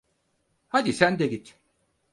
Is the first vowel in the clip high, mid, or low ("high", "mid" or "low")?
low